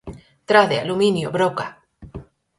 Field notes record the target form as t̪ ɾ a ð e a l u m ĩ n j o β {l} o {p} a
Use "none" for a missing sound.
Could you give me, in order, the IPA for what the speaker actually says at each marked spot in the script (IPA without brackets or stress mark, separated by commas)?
ɾ, k